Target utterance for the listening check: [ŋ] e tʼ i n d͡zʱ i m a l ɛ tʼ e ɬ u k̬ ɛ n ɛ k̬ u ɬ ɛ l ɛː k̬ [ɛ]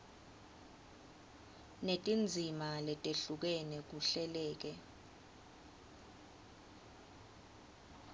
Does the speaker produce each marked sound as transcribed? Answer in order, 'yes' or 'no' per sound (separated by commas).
no, yes